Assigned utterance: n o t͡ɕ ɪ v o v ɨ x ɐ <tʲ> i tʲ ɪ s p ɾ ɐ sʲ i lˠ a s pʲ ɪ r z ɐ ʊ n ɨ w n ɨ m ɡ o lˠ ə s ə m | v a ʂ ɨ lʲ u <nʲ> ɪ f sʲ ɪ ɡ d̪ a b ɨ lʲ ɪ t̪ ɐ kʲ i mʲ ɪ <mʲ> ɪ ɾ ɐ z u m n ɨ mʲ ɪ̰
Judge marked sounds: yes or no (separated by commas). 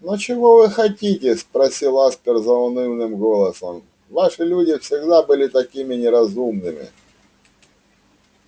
yes, no, no